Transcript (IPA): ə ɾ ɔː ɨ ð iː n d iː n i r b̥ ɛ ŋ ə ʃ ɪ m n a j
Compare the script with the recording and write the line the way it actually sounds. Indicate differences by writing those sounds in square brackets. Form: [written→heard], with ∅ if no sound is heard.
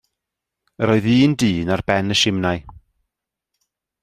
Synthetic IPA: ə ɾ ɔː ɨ ð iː n d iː n [i→a] r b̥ ɛ [ŋ→n] ə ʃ ɪ m n a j